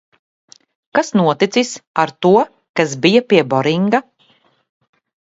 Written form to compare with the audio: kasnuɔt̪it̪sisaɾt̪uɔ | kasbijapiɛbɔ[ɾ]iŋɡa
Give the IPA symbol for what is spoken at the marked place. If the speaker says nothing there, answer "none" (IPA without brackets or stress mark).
ɾ